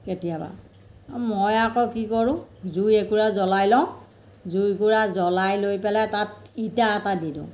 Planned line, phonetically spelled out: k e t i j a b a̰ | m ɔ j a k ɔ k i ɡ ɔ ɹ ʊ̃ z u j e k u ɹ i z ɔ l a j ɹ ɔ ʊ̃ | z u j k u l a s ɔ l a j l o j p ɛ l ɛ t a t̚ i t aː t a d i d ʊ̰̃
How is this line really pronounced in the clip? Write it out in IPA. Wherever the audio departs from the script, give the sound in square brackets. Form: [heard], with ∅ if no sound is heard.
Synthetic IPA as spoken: k e t i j a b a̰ | m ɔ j a k ɔ k i [k] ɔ ɹ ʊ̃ z u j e k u ɹ [a] z ɔ l a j [l] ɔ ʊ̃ | z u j k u [ɹ] a [z] ɔ l a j l o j p ɛ l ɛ t a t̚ i t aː t a d i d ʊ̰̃